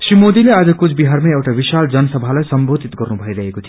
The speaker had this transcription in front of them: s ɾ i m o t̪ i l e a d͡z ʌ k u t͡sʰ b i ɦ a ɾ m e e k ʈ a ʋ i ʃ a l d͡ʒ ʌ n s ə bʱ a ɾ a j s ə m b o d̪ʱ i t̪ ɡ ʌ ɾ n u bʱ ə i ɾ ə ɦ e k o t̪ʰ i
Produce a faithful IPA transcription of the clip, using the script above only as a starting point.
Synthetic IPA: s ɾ i m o d̪ i l e a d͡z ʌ k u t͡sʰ b i ɦ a ɾ m e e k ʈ a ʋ i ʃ a l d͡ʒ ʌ n s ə bʱ a l a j s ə m b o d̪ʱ i t̪ ɡ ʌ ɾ n u bʱ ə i ɾ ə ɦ e k o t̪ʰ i